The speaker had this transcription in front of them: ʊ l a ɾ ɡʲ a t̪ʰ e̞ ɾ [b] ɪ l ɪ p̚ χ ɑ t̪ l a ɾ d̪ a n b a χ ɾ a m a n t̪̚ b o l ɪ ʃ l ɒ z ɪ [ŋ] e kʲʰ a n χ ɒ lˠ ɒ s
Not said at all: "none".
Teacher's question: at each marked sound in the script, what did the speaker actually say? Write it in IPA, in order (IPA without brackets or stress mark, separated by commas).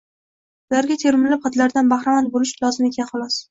m, m